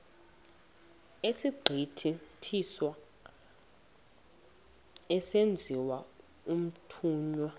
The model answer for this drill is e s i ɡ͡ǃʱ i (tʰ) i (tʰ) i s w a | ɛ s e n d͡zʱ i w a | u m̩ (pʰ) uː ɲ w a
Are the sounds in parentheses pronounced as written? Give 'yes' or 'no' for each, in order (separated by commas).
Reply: yes, yes, no